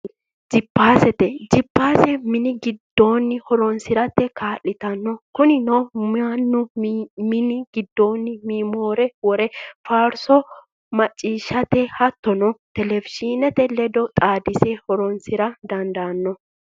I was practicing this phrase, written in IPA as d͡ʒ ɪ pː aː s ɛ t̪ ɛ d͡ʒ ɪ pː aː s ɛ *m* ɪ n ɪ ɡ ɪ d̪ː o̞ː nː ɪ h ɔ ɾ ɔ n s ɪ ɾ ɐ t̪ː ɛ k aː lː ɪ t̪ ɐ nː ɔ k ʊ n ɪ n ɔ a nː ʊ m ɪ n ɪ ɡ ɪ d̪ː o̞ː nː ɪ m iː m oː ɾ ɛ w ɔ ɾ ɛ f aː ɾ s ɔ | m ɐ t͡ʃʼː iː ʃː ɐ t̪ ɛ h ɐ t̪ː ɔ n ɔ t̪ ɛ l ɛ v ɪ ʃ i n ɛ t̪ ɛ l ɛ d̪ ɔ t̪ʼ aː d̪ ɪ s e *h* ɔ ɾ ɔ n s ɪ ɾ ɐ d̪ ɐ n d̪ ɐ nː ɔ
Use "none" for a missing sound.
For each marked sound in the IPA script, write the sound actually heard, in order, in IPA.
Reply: m, h

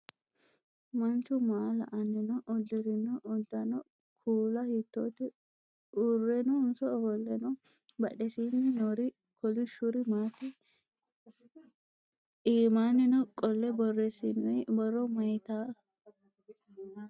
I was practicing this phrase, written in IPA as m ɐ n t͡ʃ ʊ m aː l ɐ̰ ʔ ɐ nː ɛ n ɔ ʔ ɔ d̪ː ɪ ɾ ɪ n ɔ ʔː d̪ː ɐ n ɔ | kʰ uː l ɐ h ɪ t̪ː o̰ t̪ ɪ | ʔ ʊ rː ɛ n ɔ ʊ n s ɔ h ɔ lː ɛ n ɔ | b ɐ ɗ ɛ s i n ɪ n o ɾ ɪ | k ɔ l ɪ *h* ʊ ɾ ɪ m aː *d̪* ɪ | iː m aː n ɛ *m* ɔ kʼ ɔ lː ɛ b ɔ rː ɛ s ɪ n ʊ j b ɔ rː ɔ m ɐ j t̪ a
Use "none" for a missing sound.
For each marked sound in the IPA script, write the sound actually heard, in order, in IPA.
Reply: ʃ, t̪, n

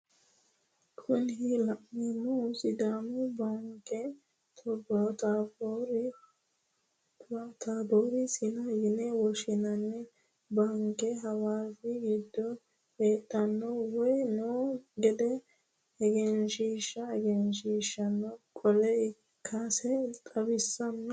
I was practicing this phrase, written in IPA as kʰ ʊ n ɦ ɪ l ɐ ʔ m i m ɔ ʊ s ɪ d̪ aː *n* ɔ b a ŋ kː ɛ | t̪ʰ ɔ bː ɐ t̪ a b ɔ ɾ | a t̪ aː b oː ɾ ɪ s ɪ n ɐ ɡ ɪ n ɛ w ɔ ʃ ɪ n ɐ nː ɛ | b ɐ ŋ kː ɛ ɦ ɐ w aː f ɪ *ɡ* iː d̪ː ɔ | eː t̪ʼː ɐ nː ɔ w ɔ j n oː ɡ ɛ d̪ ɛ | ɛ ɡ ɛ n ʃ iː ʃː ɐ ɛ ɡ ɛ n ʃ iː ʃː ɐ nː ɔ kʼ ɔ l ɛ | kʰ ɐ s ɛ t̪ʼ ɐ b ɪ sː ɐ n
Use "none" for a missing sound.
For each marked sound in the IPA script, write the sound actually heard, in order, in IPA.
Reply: m, ɡ

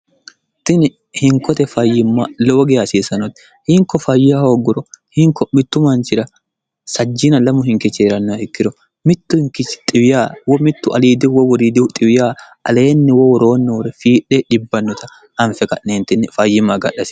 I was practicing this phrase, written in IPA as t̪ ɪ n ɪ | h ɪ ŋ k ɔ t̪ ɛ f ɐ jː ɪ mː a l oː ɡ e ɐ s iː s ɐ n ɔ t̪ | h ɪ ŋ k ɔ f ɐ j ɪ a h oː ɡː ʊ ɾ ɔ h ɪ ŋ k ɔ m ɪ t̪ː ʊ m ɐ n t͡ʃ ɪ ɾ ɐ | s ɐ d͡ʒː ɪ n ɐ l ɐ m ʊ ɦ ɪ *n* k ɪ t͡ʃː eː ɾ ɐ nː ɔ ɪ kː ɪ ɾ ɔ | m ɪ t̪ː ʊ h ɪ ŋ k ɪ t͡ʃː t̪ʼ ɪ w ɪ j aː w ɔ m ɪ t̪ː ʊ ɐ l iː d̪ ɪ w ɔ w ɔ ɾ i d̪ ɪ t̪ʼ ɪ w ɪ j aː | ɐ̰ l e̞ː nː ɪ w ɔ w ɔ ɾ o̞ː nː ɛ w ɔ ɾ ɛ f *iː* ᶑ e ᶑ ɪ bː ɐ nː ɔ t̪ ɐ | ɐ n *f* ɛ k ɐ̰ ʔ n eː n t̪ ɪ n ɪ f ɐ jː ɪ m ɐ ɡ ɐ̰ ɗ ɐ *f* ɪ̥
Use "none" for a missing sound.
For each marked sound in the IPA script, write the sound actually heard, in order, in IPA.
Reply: ŋ, iː, f, s

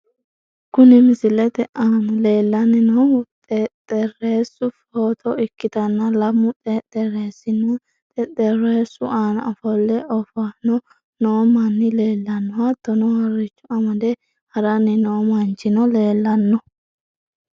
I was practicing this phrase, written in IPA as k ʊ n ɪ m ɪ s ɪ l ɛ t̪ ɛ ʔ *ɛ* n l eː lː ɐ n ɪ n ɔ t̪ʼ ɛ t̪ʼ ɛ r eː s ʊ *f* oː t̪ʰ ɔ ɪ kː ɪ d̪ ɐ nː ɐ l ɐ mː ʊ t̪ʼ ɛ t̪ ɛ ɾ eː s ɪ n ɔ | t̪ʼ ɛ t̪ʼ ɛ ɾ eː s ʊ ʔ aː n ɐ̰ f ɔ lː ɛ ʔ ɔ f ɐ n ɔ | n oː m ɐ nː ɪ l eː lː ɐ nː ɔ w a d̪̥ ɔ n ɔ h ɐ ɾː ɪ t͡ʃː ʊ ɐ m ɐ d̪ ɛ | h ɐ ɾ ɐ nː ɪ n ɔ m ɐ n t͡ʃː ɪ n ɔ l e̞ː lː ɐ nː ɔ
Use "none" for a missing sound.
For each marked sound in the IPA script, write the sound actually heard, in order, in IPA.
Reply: a, f

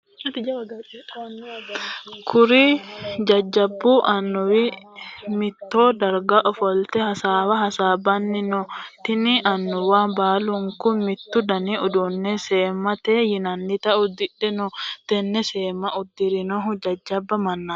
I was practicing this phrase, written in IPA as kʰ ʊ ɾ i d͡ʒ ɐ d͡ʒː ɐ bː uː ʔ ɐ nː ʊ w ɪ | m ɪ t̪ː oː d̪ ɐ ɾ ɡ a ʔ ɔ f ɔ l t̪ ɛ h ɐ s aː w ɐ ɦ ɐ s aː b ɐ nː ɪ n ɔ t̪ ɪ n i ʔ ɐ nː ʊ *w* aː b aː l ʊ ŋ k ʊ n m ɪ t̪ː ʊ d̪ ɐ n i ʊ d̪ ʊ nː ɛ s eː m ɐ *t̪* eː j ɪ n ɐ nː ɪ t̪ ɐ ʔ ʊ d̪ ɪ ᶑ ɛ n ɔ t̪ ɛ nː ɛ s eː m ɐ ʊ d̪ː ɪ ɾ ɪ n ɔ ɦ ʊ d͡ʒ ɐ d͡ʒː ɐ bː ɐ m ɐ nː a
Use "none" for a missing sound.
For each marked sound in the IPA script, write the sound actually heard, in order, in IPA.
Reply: w, t̪

